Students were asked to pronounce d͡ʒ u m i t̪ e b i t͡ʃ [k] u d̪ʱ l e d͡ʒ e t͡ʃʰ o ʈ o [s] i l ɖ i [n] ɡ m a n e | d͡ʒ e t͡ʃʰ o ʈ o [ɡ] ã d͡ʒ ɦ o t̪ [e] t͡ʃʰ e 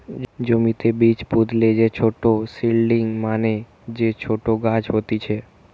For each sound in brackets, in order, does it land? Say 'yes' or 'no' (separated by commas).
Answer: no, yes, no, yes, no